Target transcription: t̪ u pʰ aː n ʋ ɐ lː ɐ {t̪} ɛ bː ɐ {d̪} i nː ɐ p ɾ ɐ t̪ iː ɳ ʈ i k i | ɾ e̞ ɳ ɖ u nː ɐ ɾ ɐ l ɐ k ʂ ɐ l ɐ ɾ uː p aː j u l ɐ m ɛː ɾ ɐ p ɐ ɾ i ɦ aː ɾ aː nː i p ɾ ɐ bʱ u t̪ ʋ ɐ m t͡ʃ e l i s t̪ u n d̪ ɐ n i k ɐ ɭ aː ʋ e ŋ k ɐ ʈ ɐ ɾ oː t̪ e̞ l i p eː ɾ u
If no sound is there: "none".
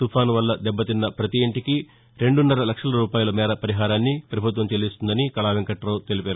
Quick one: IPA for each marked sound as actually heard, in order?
d̪, t̪

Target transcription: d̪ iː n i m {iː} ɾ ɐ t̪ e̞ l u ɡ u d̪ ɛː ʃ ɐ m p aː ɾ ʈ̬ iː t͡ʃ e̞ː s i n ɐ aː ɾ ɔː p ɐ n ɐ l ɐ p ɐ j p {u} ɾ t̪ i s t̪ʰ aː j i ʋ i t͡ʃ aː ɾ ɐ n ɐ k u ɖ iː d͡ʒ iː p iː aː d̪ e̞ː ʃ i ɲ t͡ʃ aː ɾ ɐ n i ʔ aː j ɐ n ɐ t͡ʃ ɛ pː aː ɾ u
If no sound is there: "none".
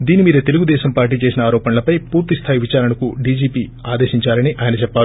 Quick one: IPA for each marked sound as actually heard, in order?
iː, uː

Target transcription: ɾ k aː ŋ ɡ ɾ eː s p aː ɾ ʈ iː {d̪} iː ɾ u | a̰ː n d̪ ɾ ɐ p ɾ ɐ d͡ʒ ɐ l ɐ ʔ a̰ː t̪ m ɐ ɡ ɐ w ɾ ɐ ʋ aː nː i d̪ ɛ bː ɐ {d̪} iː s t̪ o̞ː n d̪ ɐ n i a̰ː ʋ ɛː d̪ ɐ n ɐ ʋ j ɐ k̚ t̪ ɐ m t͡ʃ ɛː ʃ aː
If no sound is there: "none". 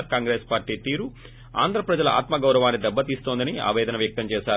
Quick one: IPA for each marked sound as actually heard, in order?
t̪, t̪

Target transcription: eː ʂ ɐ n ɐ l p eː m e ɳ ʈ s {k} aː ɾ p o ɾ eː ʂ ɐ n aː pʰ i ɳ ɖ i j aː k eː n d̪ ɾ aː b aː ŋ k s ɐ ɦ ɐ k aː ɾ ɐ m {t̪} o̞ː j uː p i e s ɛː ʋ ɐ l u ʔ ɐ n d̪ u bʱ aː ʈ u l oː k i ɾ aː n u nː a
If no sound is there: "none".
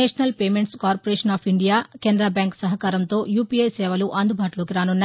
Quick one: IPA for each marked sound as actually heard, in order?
k, t̪

